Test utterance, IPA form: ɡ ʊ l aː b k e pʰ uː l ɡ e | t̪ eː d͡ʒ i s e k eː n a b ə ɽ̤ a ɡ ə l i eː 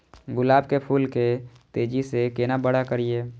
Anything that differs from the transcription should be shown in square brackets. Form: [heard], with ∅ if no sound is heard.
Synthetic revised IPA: ɡ ʊ l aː b k e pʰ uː l [k] e | t̪ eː d͡ʒ i s e k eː n a b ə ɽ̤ a [k] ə [ɾ] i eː

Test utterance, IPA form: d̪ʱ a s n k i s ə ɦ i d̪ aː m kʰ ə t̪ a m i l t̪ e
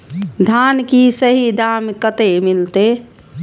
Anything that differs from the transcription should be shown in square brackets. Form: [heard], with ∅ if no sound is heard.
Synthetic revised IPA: d̪ʱ a [∅] n k i s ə ɦ i d̪ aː m [k] ə t̪ [e] m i l t̪ e

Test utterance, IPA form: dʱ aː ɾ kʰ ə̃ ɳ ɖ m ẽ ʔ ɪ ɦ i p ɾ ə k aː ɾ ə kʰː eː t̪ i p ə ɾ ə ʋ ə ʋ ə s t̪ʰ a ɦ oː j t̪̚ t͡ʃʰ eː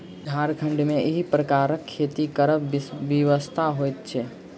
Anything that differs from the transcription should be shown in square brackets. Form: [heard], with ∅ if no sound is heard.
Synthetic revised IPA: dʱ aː ɾ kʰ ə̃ ɳ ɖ m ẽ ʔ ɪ ɦ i p ɾ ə k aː ɾ ə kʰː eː t̪ i [k] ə ɾ ə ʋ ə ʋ ə s t̪ʰ a ɦ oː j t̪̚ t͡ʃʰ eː

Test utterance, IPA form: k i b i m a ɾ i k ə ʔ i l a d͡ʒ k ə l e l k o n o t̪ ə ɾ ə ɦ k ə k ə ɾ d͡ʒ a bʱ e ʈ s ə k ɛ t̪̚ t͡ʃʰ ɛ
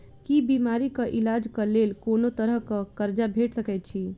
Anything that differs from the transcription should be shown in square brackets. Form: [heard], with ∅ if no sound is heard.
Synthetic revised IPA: k i b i m a ɾ i k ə ʔ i l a d͡ʒ k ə l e l k o n o t̪ ə ɾ ə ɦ k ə k ə ɾ d͡ʒ a bʱ e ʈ s ə k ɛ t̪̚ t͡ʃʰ [i]

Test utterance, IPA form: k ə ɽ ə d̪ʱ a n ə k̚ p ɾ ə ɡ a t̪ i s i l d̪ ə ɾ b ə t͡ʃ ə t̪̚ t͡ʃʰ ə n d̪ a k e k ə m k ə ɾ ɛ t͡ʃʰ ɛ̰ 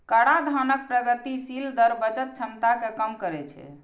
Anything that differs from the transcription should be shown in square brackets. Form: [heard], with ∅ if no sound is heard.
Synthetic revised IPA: k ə ɽ [a] d̪ʱ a n ə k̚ p ɾ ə ɡ [ə] t̪ i s i l d̪ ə ɾ b ə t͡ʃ ə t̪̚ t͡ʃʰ ə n [t̪] a k e k ə m k ə ɾ ɛ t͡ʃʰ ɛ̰

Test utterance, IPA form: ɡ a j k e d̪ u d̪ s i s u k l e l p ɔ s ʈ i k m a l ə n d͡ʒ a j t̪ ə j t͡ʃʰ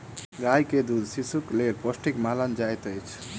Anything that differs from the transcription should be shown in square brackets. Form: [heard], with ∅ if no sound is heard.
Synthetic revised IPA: ɡ a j k e d̪ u d̪ s i s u k l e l p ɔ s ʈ i k m a l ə n d͡ʒ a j t̪ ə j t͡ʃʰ

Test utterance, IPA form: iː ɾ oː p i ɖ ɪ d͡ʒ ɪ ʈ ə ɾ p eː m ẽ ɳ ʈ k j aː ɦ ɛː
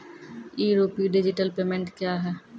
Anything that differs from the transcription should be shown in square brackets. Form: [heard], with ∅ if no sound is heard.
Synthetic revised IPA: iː ɾ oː p i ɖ ɪ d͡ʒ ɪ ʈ ə [l] p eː m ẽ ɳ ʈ k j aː ɦ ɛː

